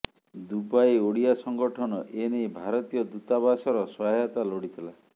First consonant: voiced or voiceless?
voiced